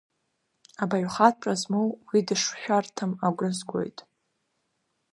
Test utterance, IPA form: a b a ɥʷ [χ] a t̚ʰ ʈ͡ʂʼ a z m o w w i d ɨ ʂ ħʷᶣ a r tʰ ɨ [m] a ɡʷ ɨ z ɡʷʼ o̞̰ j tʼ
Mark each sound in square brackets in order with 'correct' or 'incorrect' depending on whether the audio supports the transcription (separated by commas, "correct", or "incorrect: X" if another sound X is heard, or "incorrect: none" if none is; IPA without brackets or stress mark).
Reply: correct, correct